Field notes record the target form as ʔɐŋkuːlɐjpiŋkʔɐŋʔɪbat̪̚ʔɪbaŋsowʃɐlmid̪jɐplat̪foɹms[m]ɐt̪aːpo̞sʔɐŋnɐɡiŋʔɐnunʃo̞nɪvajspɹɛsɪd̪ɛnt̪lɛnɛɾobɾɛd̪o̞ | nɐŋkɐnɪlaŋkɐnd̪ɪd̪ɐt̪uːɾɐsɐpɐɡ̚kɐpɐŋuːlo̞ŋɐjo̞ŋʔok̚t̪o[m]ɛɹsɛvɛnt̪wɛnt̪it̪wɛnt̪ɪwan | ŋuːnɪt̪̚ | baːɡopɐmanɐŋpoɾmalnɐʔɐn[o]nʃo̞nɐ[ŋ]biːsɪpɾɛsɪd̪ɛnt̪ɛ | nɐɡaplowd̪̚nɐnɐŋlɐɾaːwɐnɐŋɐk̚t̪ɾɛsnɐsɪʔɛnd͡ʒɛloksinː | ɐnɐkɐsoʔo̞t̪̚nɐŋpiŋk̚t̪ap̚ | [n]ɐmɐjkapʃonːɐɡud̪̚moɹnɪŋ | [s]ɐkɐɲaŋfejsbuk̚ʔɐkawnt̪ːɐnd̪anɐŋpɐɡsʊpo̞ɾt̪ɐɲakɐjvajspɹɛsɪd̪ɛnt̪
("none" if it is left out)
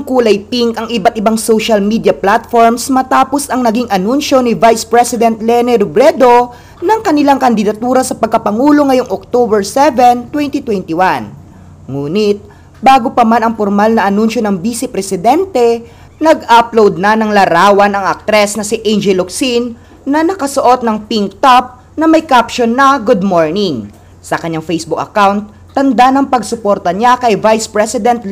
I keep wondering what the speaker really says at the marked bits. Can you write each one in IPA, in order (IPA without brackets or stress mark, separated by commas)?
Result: m, b, u, ŋ, n, s